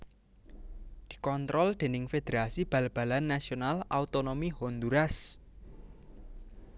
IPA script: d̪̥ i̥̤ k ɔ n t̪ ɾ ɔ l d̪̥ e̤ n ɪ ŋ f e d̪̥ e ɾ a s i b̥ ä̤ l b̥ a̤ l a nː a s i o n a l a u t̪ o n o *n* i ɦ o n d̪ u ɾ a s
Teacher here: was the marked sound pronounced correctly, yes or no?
no